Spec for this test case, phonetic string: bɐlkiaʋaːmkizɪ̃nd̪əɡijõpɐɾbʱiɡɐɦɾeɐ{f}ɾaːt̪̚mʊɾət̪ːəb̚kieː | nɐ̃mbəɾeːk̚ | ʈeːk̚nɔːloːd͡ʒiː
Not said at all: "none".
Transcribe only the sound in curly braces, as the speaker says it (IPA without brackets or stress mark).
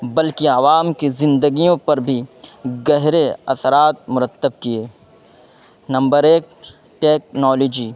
s